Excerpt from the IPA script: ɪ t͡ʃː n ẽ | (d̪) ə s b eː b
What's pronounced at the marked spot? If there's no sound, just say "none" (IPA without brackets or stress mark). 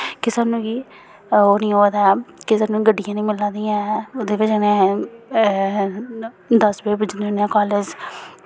d̪